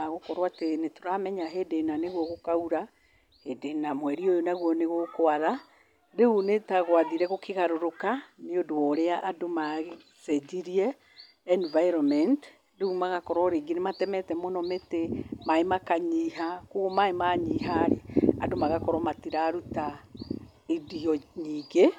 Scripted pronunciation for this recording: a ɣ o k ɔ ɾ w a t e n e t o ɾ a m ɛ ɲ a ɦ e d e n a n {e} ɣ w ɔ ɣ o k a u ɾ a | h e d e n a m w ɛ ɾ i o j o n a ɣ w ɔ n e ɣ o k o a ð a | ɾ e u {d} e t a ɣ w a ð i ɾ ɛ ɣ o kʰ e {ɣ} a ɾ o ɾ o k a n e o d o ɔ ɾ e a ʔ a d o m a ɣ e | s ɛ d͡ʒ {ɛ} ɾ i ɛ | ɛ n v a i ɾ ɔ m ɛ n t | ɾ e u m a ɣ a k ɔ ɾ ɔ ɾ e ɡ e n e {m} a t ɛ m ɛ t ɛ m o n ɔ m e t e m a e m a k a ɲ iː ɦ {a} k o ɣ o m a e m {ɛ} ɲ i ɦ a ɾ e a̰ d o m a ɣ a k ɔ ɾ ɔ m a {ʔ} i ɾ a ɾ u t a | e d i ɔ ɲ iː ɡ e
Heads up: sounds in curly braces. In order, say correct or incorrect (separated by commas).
correct, incorrect, correct, incorrect, correct, correct, incorrect, incorrect